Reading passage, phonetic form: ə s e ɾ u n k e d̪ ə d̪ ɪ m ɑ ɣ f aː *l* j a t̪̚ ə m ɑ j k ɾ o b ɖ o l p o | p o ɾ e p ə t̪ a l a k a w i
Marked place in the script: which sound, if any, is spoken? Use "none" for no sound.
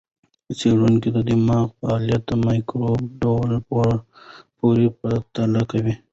l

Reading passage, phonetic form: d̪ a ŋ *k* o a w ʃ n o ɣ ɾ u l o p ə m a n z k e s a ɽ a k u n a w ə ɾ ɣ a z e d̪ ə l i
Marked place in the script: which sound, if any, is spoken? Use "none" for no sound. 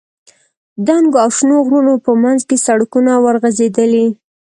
ɡ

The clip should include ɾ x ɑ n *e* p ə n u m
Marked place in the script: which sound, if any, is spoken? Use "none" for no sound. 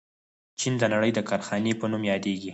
e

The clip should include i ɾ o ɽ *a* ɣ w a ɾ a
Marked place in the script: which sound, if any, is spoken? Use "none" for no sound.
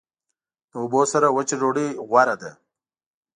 i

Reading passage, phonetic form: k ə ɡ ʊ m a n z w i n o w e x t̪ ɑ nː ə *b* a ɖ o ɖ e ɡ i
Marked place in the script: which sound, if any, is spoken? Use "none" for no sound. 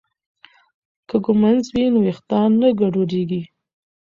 ɡ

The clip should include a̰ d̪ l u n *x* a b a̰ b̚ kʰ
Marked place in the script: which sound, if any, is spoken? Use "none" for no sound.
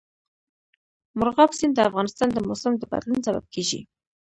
s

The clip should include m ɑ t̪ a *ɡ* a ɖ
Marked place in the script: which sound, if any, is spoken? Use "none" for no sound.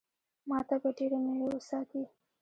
b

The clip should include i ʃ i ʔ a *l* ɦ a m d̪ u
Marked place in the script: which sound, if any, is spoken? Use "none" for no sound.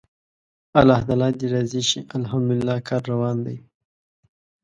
l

